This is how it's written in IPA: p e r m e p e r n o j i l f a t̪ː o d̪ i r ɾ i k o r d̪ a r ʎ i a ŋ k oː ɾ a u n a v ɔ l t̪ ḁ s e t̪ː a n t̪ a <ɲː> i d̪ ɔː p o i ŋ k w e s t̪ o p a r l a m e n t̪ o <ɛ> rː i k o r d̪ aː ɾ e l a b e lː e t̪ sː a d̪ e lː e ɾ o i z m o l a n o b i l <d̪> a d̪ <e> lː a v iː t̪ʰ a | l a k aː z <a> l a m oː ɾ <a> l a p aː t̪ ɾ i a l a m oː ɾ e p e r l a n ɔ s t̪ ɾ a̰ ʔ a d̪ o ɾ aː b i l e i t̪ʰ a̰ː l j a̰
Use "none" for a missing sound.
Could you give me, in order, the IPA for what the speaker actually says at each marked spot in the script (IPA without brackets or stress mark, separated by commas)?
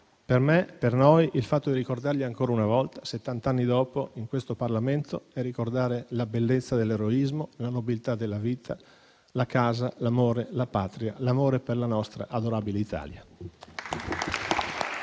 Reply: nː, ɛ, t̪, e, a, e